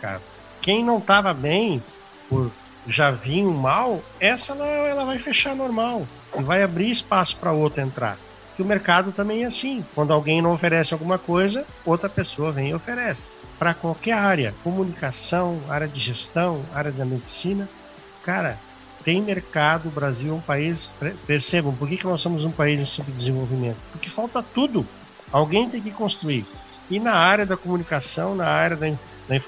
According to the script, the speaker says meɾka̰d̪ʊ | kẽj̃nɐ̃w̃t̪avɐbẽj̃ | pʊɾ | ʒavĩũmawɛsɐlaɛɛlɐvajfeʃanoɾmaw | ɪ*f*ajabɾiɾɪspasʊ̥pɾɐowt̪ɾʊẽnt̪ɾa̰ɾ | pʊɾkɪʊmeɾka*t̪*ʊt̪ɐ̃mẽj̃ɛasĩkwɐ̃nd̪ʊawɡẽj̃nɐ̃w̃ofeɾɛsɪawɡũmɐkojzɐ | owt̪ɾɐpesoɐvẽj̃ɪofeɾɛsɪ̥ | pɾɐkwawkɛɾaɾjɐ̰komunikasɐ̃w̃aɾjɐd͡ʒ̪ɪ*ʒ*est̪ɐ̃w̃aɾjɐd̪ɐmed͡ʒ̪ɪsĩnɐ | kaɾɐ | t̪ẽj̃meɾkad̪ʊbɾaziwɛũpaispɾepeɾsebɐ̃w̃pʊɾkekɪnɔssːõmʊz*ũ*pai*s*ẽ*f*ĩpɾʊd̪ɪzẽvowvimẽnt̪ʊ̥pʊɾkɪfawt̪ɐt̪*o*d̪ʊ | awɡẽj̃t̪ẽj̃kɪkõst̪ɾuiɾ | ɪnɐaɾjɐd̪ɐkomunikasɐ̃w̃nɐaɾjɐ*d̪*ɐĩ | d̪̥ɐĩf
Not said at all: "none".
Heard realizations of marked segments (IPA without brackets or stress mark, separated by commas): v, d̪, ʒ, ũ, z, s, u, d̪